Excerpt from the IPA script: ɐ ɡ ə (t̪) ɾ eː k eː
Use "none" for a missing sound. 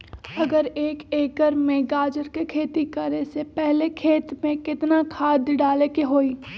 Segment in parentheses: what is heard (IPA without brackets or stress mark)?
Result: none